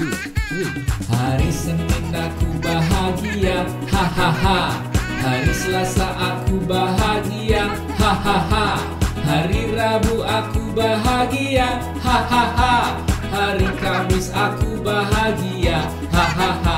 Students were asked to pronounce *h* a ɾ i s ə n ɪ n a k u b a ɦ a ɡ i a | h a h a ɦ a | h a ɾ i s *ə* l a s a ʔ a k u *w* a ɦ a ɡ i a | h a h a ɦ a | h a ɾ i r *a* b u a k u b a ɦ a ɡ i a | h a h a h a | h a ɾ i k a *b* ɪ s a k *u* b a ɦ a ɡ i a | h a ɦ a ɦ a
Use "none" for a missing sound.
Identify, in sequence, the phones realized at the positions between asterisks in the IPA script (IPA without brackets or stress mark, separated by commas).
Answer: h, ə, b, a, m, u